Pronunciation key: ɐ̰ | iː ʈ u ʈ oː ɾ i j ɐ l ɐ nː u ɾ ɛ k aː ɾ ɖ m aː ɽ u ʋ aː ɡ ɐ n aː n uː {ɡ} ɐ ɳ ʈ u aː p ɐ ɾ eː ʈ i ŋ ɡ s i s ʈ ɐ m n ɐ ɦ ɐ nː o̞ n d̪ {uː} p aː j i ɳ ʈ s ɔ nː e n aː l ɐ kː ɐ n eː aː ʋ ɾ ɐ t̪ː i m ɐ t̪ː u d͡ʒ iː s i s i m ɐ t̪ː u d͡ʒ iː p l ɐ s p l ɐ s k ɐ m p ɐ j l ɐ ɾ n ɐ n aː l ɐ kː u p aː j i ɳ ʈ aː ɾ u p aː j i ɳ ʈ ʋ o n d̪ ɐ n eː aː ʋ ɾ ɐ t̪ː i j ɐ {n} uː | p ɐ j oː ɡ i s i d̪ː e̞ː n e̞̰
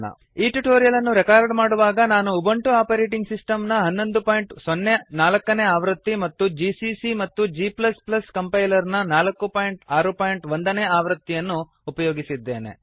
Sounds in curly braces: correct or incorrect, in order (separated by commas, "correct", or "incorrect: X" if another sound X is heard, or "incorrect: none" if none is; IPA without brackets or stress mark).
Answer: incorrect: b, incorrect: u, incorrect: nː